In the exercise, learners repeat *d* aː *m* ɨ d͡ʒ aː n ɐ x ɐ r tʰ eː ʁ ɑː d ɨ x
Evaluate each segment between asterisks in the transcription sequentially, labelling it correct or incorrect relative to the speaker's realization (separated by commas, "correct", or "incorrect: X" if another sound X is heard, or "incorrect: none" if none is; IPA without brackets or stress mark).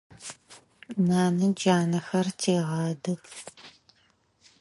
incorrect: n, incorrect: n